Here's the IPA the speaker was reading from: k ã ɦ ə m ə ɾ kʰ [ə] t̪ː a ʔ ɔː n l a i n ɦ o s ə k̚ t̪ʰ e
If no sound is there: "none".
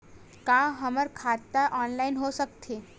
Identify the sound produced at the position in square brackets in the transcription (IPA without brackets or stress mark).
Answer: a